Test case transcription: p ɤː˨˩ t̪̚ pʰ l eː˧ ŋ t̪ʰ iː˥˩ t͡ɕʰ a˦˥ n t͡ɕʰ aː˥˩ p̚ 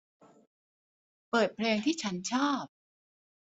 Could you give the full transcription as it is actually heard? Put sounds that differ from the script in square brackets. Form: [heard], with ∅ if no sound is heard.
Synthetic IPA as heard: p ɤː˨˩ t̪̚ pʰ l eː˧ ŋ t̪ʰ iː˥˩ t͡ɕʰ a˦˥ n t͡ɕʰ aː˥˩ p̚